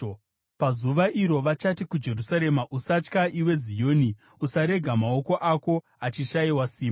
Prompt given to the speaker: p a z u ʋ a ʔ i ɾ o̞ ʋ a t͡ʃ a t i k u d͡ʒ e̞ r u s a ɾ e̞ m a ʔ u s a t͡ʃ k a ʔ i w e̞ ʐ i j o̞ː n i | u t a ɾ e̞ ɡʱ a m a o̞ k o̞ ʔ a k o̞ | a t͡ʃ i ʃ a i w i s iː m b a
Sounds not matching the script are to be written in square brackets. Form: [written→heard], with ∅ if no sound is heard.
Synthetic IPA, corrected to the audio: p a z u ʋ a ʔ i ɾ o̞ ʋ a t͡ʃ a t i k u d͡ʒ e̞ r u s a ɾ e̞ m a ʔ u s a t͡ʃ k a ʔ i w e̞ [ʐ→z] i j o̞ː n i | u [t→s] a ɾ e̞ ɡʱ a m a o̞ k o̞ ʔ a k o̞ | a t͡ʃ i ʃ a i w [i→a] s iː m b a